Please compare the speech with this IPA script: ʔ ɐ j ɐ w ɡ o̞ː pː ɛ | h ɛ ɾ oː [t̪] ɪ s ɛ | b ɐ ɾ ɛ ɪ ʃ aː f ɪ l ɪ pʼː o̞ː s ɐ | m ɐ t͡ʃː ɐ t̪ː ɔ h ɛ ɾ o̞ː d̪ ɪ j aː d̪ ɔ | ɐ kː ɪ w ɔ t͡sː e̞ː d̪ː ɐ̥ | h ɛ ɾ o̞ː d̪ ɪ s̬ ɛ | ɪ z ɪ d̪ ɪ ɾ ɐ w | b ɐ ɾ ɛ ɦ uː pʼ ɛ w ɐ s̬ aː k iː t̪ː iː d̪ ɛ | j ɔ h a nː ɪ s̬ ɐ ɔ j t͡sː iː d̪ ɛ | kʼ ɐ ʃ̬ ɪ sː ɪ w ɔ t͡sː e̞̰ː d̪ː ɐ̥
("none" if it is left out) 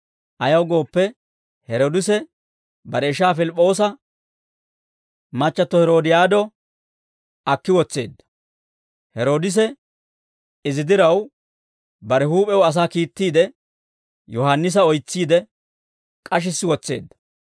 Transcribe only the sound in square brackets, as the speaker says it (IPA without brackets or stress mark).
d̪